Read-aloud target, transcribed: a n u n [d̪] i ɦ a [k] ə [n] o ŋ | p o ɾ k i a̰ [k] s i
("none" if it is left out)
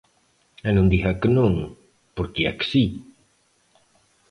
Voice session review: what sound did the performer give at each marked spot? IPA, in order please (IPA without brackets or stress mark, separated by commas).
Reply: d̪, k, n, k